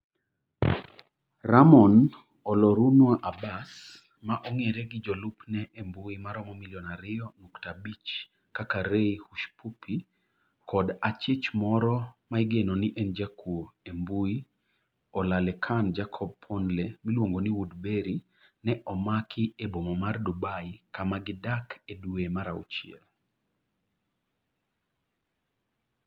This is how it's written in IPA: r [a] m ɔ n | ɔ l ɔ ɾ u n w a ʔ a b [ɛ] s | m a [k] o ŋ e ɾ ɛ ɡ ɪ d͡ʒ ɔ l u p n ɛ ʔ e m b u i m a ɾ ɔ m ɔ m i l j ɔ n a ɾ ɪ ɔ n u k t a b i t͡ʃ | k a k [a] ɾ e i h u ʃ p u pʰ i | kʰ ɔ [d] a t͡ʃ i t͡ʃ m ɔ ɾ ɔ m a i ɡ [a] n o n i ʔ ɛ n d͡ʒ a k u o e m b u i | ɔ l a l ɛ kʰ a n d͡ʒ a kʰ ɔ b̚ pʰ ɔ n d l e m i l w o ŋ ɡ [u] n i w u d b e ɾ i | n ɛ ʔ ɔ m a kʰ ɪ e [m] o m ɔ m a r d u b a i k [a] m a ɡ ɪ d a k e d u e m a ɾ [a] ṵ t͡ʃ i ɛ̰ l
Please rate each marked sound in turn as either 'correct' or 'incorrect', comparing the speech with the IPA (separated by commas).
correct, incorrect, incorrect, correct, correct, incorrect, incorrect, incorrect, correct, correct